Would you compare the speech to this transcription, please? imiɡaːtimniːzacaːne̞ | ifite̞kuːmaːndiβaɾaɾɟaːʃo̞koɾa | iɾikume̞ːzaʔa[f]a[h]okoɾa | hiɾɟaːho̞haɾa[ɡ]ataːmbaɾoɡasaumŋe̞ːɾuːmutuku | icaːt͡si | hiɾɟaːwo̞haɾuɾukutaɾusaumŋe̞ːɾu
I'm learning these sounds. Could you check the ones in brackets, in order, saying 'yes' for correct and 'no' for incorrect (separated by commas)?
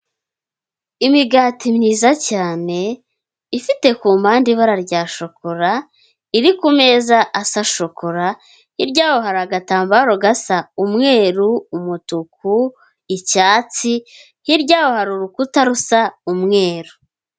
no, no, yes